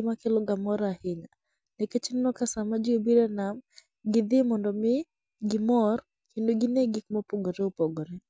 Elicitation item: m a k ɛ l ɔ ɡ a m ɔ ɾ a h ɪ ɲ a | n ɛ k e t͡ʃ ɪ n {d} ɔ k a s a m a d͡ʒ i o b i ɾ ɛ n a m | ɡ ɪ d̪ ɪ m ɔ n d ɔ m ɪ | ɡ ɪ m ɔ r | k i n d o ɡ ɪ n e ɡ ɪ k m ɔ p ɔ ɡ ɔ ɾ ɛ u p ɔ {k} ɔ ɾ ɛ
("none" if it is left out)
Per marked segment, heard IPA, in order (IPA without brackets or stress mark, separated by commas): n, ɡ